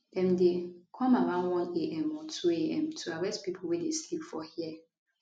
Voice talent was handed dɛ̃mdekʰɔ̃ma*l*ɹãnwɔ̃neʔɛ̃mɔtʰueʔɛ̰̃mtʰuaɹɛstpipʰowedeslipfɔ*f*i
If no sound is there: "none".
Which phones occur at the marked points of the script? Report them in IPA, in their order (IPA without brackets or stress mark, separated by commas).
none, h